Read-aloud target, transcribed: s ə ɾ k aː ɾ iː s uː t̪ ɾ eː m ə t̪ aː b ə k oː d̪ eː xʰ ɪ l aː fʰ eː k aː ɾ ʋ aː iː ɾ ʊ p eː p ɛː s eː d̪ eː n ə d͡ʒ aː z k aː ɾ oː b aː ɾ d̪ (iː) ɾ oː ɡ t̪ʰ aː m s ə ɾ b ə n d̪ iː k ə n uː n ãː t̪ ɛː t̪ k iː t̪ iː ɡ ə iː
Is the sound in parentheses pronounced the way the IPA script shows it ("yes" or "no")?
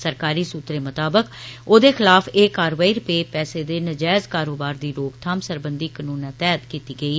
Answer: yes